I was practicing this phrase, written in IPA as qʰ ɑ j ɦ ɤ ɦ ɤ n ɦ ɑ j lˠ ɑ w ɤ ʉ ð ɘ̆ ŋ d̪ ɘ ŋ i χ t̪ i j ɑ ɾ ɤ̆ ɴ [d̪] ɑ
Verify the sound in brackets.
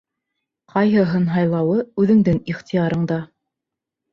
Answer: correct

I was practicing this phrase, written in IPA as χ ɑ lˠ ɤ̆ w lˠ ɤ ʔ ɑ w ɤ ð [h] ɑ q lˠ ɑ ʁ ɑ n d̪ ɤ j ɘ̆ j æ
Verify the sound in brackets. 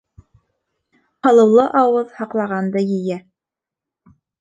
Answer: correct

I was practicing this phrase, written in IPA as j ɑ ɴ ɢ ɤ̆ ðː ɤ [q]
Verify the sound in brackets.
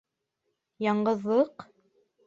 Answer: correct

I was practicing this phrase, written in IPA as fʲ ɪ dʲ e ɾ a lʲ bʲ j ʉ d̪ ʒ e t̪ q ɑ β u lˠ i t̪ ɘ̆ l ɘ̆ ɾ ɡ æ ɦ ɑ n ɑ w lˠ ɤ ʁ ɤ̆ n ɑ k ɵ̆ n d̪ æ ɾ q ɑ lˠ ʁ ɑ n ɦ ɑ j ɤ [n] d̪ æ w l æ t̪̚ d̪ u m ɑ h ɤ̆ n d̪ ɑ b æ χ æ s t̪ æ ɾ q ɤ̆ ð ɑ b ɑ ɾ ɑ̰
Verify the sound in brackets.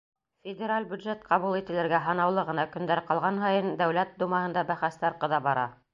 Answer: correct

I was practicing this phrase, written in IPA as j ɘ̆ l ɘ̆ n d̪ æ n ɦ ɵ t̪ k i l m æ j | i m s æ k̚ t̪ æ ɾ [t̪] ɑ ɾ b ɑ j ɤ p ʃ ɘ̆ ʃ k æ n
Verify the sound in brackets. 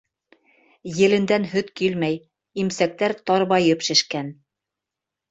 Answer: correct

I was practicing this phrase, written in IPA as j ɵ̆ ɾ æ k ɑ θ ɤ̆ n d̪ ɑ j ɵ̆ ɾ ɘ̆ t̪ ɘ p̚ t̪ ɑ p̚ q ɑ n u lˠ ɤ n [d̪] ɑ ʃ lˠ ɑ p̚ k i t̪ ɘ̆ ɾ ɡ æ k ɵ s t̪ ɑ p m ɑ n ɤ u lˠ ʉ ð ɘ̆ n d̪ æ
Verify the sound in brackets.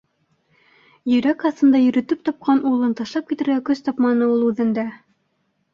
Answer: incorrect: t̪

